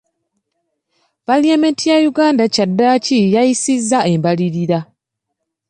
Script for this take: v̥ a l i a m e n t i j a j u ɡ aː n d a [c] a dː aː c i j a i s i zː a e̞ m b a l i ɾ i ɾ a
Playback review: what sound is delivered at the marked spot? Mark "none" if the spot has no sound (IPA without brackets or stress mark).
c